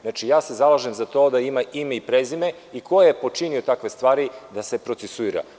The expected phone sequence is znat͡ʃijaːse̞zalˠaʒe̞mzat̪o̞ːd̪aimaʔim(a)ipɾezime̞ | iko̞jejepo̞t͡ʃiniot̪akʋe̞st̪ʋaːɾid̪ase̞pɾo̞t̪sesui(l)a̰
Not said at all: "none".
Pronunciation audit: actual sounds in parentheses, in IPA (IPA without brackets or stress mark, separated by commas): e, ɾ